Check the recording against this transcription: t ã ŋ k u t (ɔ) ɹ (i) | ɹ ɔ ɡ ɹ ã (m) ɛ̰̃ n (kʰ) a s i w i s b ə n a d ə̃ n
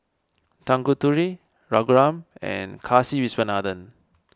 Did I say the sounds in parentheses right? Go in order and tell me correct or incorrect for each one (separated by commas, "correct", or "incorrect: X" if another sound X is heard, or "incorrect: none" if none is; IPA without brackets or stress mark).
incorrect: u, correct, correct, correct